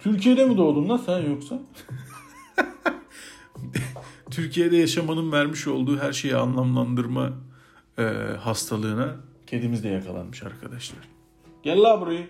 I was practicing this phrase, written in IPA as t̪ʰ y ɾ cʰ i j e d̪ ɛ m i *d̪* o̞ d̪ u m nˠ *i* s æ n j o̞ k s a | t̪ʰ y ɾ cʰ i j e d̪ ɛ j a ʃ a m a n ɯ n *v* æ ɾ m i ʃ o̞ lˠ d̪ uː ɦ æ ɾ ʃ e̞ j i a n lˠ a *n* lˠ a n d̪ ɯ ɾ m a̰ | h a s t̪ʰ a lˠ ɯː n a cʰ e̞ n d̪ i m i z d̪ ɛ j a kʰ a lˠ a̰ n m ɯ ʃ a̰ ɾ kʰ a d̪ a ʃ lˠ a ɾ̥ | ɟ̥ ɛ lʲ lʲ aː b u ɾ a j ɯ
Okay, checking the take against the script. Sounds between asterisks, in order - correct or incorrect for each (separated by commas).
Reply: correct, incorrect, correct, incorrect